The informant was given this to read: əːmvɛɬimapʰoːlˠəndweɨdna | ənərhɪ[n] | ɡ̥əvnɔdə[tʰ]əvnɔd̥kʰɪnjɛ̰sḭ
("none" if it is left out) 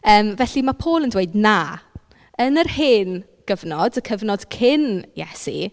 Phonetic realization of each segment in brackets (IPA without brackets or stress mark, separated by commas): n, kʰ